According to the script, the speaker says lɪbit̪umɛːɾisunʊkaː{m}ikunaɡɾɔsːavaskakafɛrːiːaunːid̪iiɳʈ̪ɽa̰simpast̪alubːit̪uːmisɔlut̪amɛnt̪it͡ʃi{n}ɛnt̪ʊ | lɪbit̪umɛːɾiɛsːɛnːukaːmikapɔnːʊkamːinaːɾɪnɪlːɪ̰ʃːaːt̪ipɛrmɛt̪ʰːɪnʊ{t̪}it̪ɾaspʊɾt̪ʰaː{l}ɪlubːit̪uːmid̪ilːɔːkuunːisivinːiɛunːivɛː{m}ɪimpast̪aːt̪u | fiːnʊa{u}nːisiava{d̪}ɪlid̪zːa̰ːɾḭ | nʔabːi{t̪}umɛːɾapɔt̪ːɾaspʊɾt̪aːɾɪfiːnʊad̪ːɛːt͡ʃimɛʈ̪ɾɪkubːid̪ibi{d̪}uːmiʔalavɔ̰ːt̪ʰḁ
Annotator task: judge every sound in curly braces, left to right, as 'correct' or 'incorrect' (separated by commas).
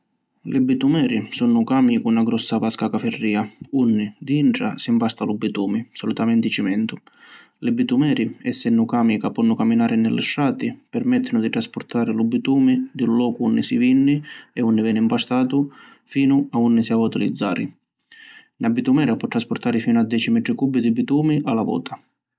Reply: correct, incorrect, incorrect, incorrect, incorrect, correct, incorrect, correct, incorrect